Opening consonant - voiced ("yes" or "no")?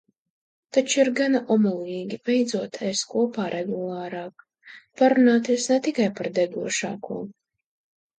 no